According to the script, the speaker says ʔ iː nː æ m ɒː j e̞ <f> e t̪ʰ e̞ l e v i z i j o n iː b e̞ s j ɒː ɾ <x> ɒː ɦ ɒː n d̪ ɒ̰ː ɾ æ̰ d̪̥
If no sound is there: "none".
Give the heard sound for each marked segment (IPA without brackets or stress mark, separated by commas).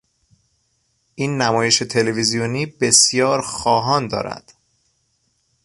ʃ, x